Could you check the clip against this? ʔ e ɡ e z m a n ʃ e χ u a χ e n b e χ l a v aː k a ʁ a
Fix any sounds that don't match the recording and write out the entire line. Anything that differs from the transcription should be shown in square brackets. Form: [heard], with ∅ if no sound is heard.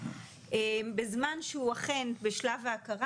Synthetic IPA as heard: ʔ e [b] e z m a n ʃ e [∅] u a χ e n b e [ʃ] l a v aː k a ʁ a

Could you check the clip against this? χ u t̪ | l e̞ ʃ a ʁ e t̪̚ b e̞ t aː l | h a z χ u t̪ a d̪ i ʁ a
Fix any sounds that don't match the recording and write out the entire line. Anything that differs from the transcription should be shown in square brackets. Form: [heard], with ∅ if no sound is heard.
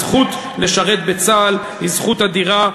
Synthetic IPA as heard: χ u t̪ | l e̞ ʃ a ʁ e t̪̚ b e̞ [t͡s] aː l | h [i] z χ u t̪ a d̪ i ʁ a

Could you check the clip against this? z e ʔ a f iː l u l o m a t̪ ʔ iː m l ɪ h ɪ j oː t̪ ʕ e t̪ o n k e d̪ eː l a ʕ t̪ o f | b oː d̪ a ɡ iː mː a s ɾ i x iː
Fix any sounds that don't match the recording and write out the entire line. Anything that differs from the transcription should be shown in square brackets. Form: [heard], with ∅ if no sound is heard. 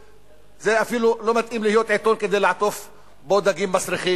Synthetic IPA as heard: z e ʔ a f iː l u l o m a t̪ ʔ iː m l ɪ h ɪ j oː t̪ ʕ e t̪ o n k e d̪ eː l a ʕ t̪ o f | b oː d̪ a ɡ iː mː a s ɾ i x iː

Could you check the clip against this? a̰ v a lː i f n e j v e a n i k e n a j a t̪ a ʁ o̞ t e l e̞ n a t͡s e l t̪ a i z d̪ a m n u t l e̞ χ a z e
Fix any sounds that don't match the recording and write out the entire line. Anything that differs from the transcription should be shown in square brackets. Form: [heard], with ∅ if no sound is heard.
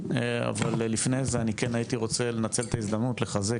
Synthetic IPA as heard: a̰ v a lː i f n e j [z] e a n i k e n a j [i] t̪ [i] ʁ o̞ [t͡s] e l e̞ n a t͡s e l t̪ a i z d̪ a m n u t l e̞ χ a z e

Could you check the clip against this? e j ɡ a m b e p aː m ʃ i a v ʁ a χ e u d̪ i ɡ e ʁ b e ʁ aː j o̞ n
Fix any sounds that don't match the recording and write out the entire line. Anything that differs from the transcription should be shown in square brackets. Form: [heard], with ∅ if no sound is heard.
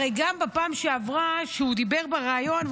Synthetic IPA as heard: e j ɡ a m b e p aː m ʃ [e] a v ʁ a [ʃ] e u d̪ i [b] e ʁ b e ʁ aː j o̞ n

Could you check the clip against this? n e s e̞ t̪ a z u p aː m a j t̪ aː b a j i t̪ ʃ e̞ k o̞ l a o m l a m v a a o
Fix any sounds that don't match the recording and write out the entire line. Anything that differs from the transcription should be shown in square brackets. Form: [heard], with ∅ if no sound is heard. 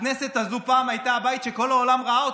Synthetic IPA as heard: n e s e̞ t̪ a z u p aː m a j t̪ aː b a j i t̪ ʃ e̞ k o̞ l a o [∅] l a m [ʁ] a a o

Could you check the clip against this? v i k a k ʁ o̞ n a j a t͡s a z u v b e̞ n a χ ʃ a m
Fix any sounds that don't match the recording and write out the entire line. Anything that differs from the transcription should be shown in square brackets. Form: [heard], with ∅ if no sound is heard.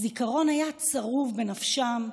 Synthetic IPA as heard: [z] i k a [∅] ʁ o̞ n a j a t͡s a [ʁ] u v b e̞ n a [f] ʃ a m

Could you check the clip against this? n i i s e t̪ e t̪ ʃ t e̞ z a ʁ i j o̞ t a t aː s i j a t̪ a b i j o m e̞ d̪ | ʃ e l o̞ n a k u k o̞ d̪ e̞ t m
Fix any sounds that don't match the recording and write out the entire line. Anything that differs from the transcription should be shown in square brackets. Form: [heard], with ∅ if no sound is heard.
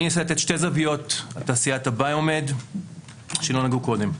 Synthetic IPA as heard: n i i s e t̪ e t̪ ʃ t e̞ z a [v] i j o̞ t a t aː s i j a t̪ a b [a] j o m e̞ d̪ | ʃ e l o̞ n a [ɡ] u k o̞ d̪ e̞ [∅] m

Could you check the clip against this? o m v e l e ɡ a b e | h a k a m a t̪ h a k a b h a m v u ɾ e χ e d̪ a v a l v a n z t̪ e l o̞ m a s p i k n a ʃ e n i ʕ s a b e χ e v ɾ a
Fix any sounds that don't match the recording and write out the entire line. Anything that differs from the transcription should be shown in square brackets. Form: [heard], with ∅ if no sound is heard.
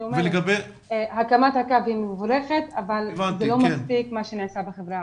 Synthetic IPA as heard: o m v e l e ɡ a b e | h a k a m a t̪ h a k a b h [i] m v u ɾ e χ e [t̪] a v a l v a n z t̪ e l o̞ m a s p i k [m] a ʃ e n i ʕ s a b e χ e v ɾ a

